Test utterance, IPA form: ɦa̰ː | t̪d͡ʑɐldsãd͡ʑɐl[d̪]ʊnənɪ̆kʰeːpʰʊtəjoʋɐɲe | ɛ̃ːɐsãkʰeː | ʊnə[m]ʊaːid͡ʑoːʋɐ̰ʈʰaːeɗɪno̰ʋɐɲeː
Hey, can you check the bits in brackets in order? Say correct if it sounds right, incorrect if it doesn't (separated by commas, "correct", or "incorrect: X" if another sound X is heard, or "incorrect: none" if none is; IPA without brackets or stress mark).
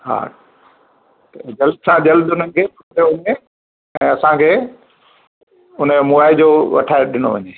correct, correct